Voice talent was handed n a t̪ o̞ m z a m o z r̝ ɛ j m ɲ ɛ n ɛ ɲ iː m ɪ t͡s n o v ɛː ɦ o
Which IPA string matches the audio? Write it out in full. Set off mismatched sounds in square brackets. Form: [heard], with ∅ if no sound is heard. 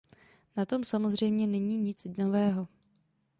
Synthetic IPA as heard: n a t̪ o̞ m [s] a m o z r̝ ɛ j m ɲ ɛ n ɛ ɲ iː [ɲ] ɪ t͡s n o v ɛː ɦ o